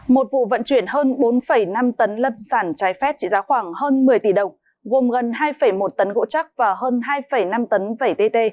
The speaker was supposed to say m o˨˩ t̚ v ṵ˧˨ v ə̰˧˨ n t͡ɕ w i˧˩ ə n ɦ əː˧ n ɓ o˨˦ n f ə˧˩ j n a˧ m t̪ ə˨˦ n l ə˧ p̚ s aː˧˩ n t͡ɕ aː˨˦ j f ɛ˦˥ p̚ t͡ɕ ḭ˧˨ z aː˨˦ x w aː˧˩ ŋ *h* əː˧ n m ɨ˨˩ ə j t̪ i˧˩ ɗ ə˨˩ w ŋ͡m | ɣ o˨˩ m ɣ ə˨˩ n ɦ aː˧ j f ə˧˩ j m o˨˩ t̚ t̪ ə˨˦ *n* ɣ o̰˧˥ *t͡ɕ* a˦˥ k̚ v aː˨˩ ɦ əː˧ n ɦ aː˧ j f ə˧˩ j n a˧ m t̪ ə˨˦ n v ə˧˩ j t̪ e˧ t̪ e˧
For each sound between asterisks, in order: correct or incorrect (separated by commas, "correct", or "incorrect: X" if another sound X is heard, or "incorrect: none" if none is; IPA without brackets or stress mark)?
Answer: correct, correct, correct